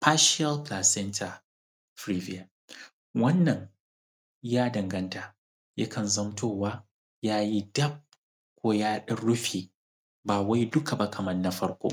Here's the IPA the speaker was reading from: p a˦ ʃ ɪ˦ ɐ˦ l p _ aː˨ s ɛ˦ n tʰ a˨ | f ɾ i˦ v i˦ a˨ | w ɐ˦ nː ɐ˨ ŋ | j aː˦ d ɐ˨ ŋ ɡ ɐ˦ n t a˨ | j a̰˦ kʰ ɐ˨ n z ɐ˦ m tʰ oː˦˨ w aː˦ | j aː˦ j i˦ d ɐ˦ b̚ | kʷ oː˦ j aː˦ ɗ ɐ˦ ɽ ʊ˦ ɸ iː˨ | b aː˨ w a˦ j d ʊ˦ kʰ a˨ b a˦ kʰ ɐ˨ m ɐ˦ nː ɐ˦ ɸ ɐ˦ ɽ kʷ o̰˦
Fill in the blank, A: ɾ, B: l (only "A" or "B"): B